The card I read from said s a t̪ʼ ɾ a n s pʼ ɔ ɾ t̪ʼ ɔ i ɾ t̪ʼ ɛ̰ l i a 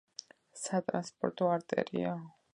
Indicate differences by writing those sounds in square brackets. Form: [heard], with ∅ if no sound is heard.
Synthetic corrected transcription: s a t̪ʼ ɾ a n s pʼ ɔ ɾ t̪ʼ ɔ [a] ɾ t̪ʼ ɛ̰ [ɾ] i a

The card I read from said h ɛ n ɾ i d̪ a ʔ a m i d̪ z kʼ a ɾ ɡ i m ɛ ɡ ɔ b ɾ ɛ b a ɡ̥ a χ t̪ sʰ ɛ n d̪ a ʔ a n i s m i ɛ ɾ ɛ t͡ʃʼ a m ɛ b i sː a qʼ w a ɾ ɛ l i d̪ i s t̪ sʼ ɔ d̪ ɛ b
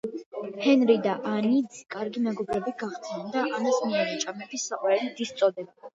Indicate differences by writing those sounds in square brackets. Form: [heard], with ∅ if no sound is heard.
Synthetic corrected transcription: h ɛ n ɾ i d̪ a ʔ a [n] i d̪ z kʼ a ɾ ɡ i m ɛ ɡ ɔ b ɾ ɛ b [i] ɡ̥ a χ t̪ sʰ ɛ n d̪ a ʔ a n [a] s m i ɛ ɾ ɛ t͡ʃʼ a m ɛ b i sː a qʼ w a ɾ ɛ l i d̪ i s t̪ sʼ ɔ d̪ ɛ b

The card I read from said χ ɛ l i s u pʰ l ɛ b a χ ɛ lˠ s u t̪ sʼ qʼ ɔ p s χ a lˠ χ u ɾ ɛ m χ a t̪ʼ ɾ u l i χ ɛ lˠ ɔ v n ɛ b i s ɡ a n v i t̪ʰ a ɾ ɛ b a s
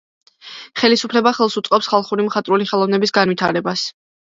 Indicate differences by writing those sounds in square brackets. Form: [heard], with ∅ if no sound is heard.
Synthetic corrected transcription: χ ɛ l i s u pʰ l ɛ b a χ ɛ lˠ s u t̪ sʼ qʼ ɔ p s χ a lˠ χ u ɾ [i] m χ a t̪ʼ ɾ u l i χ ɛ lˠ ɔ v n ɛ b i s ɡ a n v i t̪ʰ a ɾ ɛ b a s

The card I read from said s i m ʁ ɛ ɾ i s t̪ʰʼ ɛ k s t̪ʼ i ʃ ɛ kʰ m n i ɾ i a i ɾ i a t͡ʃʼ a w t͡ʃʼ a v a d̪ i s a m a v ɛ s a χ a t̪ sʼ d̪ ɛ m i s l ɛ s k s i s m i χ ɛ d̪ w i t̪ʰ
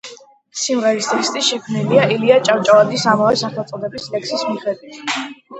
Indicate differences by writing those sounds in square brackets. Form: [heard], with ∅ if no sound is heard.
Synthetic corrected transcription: s i m ʁ ɛ ɾ i s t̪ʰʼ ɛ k s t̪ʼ i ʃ ɛ kʰ m n i [l] i a i [l] i a t͡ʃʼ a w t͡ʃʼ a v a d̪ i s a m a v ɛ s a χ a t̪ sʼ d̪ ɛ [b] i s l ɛ [∅] k s i s m i χ ɛ d̪ w i t̪ʰ

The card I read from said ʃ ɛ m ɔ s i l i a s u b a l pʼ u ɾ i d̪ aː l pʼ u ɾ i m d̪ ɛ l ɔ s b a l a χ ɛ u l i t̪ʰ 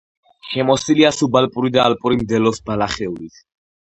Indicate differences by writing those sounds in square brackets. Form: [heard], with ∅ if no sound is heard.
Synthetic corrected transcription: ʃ ɛ m ɔ s i l i a s u b a l pʼ u ɾ i d̪ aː l pʼ u ɾ i m d̪ ɛ l ɔ s b a l a χ ɛ u l i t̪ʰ

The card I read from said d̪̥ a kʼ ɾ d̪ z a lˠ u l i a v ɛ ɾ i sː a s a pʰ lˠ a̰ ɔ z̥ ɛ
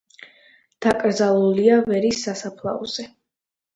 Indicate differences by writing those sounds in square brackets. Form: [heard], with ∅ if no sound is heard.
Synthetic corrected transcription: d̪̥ a kʼ ɾ d̪ z a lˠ u l i a v ɛ ɾ i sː a s a pʰ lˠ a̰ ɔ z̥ ɛ

